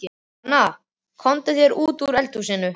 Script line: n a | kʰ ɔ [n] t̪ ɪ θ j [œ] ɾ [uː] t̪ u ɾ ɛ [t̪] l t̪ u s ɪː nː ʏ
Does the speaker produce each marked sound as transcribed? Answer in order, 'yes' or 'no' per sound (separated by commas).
yes, no, yes, no